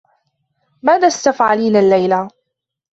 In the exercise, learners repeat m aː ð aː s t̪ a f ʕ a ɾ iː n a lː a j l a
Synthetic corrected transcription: m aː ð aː s t̪ a f ʕ a l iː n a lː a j l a